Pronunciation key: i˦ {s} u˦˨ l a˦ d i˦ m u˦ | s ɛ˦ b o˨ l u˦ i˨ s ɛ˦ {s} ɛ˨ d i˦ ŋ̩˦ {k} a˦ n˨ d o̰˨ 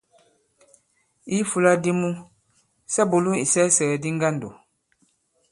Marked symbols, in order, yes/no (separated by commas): no, yes, no